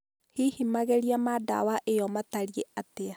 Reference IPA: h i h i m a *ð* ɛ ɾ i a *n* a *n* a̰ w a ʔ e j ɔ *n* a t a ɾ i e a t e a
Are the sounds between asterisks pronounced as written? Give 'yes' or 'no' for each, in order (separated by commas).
no, no, no, no